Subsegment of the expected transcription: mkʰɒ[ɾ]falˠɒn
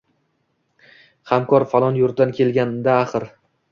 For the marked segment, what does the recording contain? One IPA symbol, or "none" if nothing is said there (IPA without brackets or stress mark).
ɾ